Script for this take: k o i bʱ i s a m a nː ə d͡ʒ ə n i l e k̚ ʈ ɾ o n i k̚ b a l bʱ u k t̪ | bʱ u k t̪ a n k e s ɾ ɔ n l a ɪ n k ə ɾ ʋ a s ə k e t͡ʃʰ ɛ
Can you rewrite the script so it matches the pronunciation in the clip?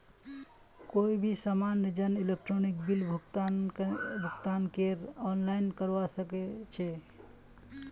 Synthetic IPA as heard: k o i bʱ i s a m a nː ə d͡ʒ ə n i l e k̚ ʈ ɾ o n i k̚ b i l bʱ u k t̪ | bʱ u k t̪ a n k e ɾ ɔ n l a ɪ n k ə ɾ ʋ a s ə k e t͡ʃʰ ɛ